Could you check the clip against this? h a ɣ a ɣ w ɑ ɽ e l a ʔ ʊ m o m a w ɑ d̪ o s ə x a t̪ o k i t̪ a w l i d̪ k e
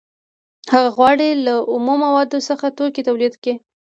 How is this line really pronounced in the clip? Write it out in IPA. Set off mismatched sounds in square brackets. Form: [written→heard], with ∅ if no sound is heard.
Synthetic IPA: h a ɣ a ɣ w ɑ ɽ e l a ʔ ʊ m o m a w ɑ d̪ o s ə x a t̪ o k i t̪ a w l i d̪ k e